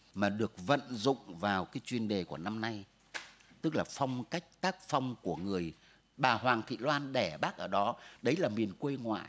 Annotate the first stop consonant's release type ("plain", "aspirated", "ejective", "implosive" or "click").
implosive